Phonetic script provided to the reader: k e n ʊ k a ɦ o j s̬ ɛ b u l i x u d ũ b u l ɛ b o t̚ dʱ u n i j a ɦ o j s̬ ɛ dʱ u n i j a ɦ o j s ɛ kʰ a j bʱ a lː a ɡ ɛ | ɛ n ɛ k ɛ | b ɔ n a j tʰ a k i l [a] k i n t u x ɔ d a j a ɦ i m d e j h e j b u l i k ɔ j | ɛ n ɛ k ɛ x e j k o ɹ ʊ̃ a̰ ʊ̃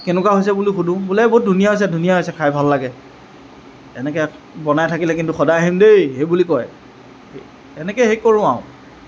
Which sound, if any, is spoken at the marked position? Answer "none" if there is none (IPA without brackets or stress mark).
ɛ